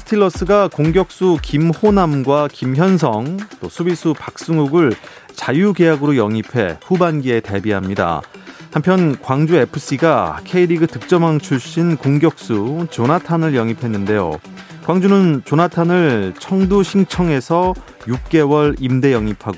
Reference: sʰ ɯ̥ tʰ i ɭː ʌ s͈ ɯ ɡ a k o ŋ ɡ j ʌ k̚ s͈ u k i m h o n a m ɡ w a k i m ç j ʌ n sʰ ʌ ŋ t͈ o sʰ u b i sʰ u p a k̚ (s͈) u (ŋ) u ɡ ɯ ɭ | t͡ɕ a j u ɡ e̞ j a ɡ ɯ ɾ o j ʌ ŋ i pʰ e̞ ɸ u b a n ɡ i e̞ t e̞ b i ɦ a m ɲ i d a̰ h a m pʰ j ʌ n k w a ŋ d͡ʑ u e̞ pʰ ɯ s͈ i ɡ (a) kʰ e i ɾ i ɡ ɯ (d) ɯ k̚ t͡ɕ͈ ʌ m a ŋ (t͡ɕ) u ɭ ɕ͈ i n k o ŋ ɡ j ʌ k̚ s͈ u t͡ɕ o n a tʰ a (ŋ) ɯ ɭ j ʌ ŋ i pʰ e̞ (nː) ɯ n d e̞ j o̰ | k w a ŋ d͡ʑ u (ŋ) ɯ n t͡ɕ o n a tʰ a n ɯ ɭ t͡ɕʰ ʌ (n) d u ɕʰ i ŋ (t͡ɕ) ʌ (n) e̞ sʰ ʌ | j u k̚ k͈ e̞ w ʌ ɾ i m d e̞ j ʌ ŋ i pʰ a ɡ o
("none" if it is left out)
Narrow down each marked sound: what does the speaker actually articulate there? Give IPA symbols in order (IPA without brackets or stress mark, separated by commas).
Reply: s͈, ŋ, a, t, t͡ɕʰ, n, nː, n, ŋ, t͡ɕʰ, ŋ